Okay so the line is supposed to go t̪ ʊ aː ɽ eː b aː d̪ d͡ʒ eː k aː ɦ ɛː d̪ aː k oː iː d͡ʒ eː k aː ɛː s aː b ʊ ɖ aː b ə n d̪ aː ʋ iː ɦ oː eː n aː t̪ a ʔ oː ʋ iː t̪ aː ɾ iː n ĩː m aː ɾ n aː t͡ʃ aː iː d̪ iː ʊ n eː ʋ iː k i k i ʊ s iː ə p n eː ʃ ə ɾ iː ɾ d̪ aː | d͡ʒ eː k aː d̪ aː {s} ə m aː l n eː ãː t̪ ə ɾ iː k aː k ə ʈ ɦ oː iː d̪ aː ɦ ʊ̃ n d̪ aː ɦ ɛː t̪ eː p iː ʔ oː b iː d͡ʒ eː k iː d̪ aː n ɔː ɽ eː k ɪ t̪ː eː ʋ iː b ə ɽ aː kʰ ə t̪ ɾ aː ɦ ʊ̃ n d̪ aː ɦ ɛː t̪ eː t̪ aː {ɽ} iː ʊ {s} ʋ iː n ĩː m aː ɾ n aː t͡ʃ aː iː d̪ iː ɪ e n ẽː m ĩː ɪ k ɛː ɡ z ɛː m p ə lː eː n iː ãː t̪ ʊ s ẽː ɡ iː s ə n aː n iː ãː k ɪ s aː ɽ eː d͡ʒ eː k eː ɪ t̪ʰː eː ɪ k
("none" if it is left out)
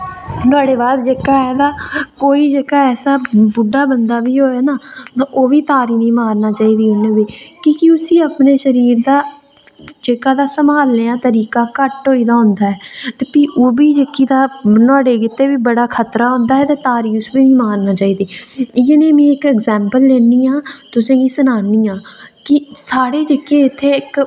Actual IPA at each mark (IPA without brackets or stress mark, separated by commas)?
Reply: s, ɾ, s